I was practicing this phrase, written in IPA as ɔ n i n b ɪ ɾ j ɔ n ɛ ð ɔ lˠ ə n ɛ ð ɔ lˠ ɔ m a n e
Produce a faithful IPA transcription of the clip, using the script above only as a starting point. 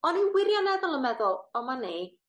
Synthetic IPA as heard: ɔ n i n w ɪ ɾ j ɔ n ɛ ð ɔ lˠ ə m ɛ ð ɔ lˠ ɔ m a n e